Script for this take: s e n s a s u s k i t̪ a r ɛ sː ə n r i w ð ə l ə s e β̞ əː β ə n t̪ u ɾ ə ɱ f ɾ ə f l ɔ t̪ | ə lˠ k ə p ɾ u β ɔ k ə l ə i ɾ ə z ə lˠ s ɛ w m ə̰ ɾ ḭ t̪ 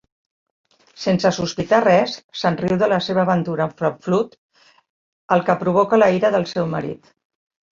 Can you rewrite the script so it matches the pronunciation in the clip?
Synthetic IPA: s e n s ə s u s p i t̪ a r ɛ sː ə n r i w ð ə l ə s e β̞ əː β ə n t̪ u ɾ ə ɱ f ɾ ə f l u t̪ | ə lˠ k ə p ɾ u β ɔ k ə l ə i ɾ ə ð ə lˠ s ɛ w m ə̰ ɾ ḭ t̪